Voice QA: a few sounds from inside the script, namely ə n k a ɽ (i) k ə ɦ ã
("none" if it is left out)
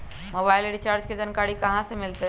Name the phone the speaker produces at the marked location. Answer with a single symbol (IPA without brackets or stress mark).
i